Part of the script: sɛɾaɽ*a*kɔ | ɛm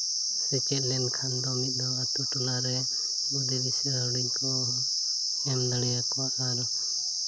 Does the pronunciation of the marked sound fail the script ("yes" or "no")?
yes